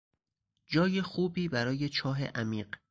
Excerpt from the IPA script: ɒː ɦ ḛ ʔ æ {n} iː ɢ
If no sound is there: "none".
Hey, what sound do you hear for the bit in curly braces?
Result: m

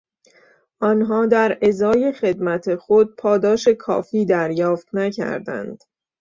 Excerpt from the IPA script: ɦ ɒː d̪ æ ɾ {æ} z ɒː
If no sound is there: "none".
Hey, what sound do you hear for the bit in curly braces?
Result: e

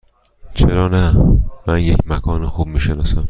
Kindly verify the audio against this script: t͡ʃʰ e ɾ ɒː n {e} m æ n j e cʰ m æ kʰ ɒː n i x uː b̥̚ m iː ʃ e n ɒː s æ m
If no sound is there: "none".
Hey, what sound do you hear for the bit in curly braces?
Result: æ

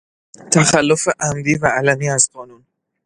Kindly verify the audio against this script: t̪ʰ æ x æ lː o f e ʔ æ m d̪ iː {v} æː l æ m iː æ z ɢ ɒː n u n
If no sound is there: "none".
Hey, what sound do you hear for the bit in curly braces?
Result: v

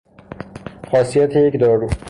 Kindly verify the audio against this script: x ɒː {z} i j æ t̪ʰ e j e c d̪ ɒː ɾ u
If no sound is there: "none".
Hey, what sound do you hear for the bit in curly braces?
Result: s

